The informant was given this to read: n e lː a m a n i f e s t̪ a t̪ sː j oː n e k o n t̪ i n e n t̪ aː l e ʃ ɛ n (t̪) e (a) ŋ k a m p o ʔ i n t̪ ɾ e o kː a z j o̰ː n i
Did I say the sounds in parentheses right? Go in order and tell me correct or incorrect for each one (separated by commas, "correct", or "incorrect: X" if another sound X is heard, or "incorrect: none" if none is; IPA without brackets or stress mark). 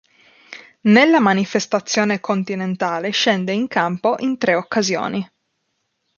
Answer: incorrect: d̪, incorrect: i